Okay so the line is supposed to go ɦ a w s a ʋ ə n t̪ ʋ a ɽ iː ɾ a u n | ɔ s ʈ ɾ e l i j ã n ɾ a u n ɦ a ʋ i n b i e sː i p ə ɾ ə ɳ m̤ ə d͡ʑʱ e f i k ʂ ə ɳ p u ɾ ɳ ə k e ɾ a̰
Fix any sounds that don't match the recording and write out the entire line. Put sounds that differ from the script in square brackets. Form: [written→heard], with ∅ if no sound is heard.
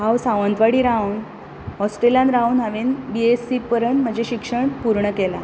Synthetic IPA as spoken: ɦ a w s a ʋ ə n t̪ ʋ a ɽ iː ɾ a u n | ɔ s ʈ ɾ e l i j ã n ɾ a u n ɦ a ʋ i n b i e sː i p ə ɾ ə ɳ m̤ ə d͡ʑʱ e [f→ɕ] i k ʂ ə ɳ p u ɾ ɳ ə k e [ɾ→l] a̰